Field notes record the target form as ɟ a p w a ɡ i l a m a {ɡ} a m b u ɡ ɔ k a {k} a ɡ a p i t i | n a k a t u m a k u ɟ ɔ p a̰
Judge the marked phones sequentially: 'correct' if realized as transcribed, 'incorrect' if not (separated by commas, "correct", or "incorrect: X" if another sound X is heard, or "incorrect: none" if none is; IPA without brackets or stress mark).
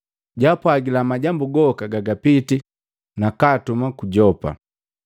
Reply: incorrect: ɟ, incorrect: ɡ